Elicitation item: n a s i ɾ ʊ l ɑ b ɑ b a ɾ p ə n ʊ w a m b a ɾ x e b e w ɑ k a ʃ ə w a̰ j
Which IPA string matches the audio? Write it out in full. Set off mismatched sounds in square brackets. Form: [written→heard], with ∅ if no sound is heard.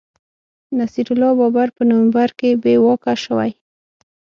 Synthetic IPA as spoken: n a s i ɾ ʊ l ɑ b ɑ b a ɾ p ə n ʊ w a m b a ɾ [x→k] e b e w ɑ k a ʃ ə w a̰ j